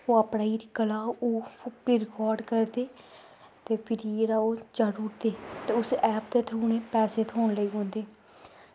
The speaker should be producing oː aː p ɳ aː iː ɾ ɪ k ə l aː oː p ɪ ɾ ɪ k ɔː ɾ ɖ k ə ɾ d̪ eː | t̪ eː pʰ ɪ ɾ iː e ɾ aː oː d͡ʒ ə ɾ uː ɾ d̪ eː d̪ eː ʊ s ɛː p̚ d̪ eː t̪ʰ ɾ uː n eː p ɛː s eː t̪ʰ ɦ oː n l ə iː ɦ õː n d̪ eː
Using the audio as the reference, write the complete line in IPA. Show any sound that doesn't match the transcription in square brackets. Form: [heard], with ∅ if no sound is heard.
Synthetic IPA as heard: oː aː p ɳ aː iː ɾ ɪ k ə l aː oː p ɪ ɾ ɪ k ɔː ɾ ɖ k ə ɾ d̪ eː | t̪ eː pʰ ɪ ɾ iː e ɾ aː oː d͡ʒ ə ɾ uː ɾ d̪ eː [t̪] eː ʊ s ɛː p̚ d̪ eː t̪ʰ ɾ uː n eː p ɛː s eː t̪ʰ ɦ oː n l ə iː ɦ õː n d̪ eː